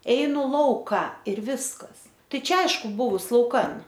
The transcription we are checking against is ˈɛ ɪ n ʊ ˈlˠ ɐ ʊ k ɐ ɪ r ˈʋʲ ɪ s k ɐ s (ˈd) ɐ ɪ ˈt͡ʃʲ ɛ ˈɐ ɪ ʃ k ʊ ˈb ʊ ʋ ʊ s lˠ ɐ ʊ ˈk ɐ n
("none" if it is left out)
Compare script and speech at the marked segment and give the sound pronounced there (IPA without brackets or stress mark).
t